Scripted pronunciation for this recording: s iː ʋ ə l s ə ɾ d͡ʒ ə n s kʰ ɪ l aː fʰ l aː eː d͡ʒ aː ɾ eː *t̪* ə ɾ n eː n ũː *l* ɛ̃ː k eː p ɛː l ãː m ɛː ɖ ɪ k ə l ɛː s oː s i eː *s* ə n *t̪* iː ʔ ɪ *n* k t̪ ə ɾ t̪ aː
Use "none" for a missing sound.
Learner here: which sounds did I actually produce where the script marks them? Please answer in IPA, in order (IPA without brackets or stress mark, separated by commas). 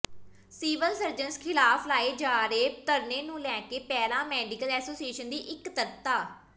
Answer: t̪, l, ʃ, d̪, none